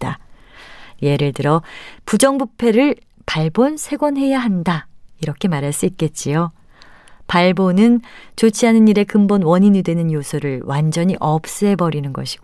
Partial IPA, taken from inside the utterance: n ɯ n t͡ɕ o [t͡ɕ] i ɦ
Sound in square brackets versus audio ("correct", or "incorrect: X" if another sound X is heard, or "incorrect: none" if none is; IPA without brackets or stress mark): incorrect: t͡ɕʰ